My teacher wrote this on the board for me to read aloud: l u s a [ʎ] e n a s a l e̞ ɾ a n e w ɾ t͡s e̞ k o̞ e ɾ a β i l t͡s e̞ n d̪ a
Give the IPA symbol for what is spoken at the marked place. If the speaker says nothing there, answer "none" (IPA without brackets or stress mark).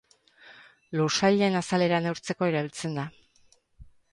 ʎ